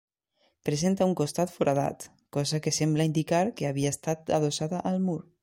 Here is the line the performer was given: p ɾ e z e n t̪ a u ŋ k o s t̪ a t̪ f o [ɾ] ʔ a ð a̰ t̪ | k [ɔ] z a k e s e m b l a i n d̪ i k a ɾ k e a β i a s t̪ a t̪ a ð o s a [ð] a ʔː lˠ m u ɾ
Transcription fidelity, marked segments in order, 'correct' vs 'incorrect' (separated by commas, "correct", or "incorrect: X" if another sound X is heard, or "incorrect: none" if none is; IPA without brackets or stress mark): correct, correct, correct